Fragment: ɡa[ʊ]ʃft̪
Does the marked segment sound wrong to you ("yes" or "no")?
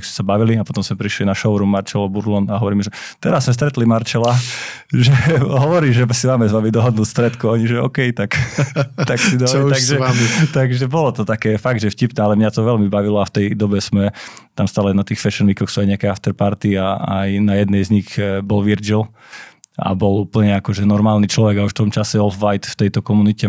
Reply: yes